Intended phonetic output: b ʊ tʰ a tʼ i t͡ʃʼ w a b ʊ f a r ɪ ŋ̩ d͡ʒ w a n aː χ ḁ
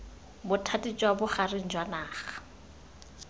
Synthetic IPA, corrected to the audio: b ʊ tʰ a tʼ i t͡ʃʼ w a b ʊ χ a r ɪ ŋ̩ d͡ʒ w a n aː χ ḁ